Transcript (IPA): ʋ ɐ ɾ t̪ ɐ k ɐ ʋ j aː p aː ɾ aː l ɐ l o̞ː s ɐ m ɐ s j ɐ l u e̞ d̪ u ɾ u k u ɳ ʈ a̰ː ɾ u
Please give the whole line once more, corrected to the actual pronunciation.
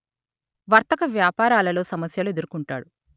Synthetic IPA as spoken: ʋ ɐ ɾ t̪ ɐ k ɐ ʋ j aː p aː ɾ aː l ɐ l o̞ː s ɐ m ɐ s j ɐ l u e̞ d̪ u ɾ u k u ɳ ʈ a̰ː ɽ u